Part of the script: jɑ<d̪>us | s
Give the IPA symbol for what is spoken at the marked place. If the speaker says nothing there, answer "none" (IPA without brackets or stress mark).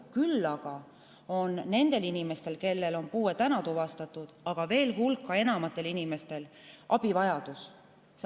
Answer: d̪